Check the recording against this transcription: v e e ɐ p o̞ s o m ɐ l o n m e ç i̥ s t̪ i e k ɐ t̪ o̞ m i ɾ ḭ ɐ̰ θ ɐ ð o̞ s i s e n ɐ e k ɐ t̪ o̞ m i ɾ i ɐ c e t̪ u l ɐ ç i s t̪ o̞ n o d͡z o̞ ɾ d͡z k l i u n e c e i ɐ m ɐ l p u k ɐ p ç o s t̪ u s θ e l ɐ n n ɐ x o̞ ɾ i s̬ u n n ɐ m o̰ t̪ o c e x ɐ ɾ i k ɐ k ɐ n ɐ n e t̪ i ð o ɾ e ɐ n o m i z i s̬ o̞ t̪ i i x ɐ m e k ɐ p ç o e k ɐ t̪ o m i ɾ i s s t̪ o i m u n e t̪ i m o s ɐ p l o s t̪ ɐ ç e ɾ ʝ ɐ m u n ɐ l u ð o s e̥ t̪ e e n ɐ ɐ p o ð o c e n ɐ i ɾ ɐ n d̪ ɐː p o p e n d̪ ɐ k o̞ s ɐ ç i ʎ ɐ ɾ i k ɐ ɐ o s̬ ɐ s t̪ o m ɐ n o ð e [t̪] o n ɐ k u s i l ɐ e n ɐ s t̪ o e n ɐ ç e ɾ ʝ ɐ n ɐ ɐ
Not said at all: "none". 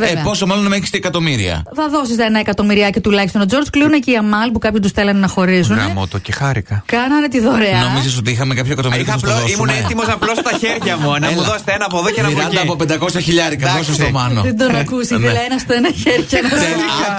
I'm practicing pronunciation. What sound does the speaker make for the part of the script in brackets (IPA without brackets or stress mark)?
d̪